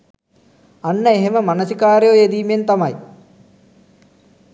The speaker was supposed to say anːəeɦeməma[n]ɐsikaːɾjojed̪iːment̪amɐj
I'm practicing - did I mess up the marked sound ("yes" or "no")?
no